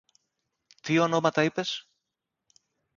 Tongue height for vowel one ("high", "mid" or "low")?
high